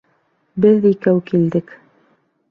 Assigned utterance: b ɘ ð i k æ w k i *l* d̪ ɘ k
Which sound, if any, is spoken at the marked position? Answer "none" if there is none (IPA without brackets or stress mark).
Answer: l